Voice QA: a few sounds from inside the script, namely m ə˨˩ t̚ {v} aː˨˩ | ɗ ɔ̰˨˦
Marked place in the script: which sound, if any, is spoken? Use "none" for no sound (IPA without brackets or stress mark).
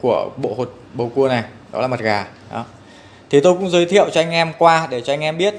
ɣ